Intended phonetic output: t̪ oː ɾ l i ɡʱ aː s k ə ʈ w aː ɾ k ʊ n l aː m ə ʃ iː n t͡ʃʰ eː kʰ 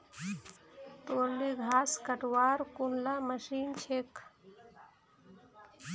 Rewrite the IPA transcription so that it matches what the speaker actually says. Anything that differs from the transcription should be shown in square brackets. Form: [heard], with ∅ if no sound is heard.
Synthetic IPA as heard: t̪ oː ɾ l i ɡʱ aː s k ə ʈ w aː ɾ k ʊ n l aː m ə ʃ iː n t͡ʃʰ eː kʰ